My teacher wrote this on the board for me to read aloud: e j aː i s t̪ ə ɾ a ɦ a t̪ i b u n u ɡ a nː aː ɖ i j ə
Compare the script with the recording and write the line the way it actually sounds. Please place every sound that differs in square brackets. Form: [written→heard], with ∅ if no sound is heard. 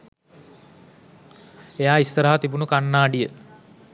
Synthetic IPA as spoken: e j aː i s t̪ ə ɾ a ɦ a t̪ i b u n u [ɡ→k] a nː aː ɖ i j ə